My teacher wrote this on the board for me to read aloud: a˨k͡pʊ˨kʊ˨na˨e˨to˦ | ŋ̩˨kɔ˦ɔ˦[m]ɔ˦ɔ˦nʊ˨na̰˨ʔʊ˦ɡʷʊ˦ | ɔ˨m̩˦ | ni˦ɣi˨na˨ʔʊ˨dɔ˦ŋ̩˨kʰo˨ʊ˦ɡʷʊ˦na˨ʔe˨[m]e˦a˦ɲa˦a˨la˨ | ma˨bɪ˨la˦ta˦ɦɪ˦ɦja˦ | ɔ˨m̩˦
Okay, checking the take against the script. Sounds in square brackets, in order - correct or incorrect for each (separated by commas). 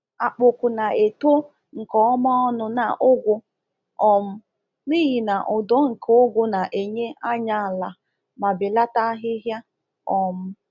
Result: correct, incorrect